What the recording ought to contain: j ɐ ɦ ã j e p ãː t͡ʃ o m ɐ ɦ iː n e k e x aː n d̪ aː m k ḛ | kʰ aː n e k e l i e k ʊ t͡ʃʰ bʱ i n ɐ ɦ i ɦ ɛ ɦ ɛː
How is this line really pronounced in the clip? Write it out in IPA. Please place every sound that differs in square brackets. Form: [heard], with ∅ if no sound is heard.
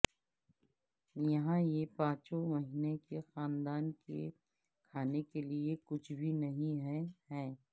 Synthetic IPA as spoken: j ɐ ɦ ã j e p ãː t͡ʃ o m ɐ ɦ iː n e k e x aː n d̪ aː [n] k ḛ | kʰ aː n e k e l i e k ʊ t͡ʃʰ bʱ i n ɐ ɦ [ĩ] ɦ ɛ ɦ ɛː